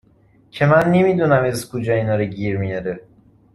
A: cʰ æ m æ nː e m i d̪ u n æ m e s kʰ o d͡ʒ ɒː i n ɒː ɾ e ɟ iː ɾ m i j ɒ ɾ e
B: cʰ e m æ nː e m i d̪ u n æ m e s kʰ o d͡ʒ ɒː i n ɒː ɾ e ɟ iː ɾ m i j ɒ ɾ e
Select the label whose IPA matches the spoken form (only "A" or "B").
B